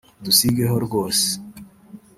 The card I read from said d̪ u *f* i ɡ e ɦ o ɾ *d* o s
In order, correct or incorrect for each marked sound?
incorrect: s, incorrect: ɡ

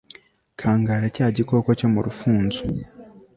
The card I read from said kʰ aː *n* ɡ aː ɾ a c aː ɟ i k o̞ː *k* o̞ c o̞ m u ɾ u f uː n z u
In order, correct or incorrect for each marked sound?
incorrect: ŋ, correct

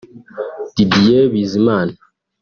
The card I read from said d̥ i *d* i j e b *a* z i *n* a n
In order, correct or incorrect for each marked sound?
correct, incorrect: i, incorrect: m

